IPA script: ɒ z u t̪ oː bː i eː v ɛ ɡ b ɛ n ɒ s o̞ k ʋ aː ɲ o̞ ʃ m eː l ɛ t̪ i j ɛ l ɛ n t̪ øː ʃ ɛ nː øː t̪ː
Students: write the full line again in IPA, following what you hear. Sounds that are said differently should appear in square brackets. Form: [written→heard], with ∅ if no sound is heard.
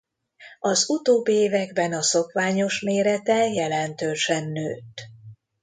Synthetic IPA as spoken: ɒ z u t̪ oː bː i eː v ɛ ɡ b ɛ n ɒ s o̞ k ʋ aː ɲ o̞ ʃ m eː [l→ɾ] ɛ t̪ [i→ɛ] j ɛ l ɛ n t̪ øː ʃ ɛ nː øː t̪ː